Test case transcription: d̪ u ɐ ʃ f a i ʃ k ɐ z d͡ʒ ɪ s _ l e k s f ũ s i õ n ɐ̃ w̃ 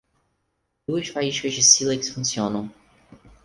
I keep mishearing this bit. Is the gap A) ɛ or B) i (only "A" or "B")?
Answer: B